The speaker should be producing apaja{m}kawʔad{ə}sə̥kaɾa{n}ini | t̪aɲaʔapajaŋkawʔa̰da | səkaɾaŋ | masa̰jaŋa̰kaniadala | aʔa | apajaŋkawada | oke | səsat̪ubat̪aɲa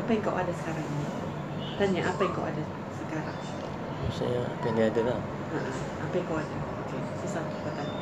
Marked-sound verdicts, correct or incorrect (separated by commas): incorrect, incorrect, incorrect